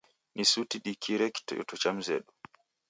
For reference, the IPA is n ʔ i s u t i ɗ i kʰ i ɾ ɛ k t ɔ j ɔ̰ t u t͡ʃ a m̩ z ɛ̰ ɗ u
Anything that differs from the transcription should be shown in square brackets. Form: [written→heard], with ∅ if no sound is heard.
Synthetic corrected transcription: n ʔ i s u t i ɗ i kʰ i ɾ ɛ k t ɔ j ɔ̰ t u t͡ʃ a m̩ z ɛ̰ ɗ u